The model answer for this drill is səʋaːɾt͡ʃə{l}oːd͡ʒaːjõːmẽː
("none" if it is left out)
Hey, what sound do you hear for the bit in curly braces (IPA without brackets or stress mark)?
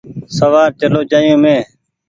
l